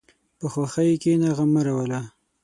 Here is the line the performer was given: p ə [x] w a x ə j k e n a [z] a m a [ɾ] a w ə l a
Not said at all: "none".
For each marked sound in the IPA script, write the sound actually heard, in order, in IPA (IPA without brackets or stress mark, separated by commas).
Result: x, ɣ, ɾ